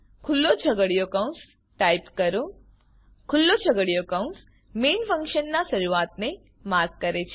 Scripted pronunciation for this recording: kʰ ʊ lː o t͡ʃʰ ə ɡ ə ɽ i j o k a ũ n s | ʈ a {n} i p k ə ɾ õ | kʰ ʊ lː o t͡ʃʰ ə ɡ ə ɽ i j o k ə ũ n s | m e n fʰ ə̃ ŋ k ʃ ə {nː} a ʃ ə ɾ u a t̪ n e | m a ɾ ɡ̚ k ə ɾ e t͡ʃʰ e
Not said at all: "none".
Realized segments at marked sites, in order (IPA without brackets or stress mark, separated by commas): none, nː